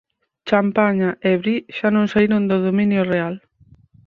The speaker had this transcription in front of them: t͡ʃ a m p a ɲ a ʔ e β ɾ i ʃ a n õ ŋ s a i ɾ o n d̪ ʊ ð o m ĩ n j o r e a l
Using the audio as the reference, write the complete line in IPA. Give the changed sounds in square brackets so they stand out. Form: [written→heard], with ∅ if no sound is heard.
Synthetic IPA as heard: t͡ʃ a m p a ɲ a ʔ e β ɾ i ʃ a n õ ŋ s a i ɾ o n d̪ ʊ ð o m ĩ n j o r e a l